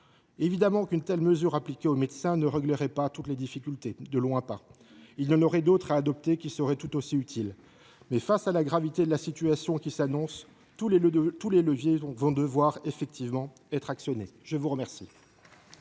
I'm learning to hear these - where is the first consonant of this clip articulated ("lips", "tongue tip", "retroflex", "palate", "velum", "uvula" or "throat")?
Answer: lips